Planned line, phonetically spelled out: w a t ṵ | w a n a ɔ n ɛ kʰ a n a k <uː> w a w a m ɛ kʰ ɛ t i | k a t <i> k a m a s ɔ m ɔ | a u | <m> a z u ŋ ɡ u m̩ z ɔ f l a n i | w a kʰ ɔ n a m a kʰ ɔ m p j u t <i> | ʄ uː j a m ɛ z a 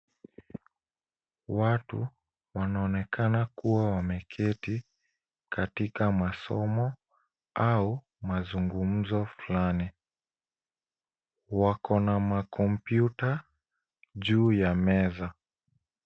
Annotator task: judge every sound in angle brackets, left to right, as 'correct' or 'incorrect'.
incorrect, correct, correct, incorrect

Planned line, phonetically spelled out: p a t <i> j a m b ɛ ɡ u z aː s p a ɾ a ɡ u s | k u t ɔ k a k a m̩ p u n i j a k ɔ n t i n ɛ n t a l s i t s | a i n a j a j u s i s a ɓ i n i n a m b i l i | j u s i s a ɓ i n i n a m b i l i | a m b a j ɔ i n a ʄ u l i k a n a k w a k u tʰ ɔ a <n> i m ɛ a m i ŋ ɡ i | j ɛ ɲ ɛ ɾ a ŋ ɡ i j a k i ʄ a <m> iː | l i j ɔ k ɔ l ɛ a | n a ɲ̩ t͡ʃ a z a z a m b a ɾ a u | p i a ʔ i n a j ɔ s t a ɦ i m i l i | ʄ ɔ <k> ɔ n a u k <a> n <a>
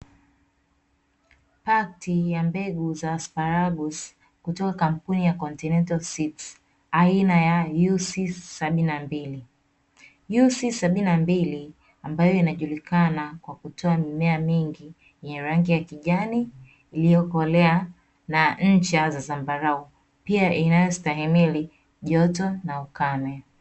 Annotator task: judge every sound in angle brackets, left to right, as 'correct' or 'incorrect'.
correct, incorrect, incorrect, incorrect, correct, incorrect

